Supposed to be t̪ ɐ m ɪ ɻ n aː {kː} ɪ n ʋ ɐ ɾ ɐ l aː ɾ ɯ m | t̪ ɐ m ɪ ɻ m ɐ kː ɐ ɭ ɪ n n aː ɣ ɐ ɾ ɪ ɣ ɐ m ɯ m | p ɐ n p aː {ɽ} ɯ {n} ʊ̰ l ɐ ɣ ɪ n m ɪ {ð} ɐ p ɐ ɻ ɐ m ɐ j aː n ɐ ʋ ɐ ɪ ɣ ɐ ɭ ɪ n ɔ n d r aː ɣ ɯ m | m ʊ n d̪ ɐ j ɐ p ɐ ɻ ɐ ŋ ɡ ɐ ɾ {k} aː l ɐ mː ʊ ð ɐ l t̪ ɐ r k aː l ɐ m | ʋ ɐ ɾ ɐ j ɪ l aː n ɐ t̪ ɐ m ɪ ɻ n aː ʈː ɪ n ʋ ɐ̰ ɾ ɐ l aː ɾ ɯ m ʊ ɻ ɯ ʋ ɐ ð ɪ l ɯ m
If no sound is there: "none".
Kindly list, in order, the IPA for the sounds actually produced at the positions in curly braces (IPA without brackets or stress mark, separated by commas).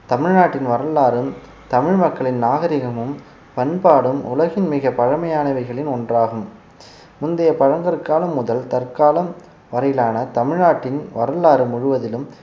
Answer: ʈː, ɽ, m, ɣ, k